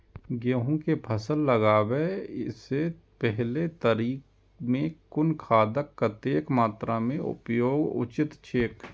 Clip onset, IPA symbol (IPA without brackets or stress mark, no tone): ɡ